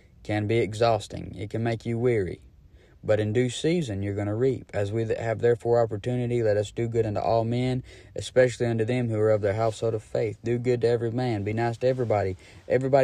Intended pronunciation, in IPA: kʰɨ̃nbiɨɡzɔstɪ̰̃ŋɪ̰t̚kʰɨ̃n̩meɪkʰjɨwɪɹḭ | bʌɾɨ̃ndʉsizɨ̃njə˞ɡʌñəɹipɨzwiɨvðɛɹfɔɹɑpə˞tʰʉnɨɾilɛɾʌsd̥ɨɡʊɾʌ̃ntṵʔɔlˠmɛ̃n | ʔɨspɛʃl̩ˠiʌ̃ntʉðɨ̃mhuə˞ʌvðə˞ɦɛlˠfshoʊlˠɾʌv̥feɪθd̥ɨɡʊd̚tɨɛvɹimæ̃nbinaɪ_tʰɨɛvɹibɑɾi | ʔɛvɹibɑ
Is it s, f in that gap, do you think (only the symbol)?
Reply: s